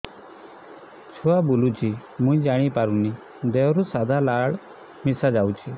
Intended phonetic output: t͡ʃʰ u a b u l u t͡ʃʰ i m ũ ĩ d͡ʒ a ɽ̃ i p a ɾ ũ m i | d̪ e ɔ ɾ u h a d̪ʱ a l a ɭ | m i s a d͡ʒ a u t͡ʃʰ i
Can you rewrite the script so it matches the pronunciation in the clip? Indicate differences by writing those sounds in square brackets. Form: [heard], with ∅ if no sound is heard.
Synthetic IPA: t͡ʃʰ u a b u l u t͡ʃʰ i m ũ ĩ d͡ʒ a ɽ̃ i p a ɾ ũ [n] i | d̪ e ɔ ɾ u [s] a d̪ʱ a l a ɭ | m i s a d͡ʒ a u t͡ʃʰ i